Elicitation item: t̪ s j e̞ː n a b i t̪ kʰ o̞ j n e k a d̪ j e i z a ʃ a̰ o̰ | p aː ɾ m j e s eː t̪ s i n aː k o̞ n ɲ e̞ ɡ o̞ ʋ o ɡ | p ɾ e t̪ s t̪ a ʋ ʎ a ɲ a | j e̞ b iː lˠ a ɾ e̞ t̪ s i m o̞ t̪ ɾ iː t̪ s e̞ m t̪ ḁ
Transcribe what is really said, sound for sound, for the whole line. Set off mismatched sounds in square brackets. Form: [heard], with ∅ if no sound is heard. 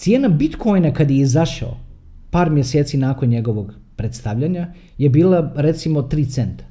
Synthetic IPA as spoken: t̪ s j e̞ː n a b i t̪ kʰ o̞ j n [a] k a d̪ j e i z a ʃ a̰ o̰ | p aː ɾ m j e s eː t̪ s i n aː k o̞ n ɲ e̞ ɡ o̞ ʋ o ɡ | p ɾ e t̪ s t̪ a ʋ ʎ a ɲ a | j e̞ b iː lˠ a ɾ e̞ t̪ s i m o̞ t̪ ɾ iː t̪ s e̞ [n] t̪ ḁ